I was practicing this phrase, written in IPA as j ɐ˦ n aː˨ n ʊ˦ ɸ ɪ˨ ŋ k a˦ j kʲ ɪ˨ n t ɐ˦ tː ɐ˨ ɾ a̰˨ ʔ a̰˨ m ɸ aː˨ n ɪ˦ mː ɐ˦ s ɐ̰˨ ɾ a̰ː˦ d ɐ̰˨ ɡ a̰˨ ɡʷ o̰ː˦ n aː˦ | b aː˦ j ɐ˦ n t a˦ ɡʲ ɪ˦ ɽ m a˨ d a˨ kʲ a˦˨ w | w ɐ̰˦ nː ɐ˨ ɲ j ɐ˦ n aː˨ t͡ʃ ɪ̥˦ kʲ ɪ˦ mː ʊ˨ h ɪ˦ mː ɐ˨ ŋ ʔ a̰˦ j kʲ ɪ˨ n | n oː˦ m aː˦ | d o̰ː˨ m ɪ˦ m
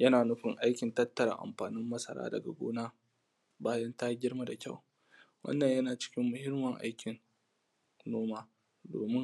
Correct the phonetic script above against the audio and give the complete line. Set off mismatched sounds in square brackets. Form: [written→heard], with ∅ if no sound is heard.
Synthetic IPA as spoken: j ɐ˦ n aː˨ n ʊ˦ ɸ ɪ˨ ŋ [k→ʔ] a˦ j kʲ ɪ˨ n t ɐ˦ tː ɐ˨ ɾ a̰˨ ʔ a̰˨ m ɸ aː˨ n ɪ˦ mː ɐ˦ s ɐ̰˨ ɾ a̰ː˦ d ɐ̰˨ ɡ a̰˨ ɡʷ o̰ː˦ n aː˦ | b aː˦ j ɐ˦ n t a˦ ɡʲ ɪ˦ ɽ m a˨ d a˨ kʲ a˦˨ w | w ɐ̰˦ nː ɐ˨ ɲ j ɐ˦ n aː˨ t͡ʃ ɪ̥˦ kʲ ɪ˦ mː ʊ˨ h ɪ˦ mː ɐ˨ ŋ ʔ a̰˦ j kʲ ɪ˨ n | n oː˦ m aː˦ | d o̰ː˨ m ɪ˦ [m→ŋ]